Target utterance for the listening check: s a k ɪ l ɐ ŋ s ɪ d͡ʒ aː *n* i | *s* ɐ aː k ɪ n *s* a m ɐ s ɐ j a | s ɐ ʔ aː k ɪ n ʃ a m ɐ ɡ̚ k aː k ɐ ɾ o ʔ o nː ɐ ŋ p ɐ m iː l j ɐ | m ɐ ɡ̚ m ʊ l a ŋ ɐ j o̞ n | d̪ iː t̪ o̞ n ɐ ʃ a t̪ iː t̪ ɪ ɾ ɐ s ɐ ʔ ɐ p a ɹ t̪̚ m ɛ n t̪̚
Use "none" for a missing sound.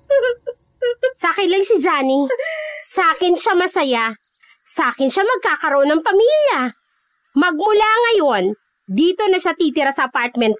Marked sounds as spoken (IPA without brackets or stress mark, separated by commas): n, s, ʃ